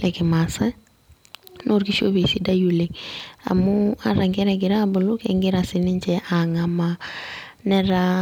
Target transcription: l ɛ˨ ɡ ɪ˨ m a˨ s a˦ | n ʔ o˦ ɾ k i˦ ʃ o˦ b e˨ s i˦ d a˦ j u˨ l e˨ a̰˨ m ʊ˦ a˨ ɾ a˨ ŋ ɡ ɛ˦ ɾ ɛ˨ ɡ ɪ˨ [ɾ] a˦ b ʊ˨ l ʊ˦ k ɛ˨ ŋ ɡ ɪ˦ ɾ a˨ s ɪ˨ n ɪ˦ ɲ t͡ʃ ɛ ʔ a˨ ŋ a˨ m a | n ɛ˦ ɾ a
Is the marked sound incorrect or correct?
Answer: correct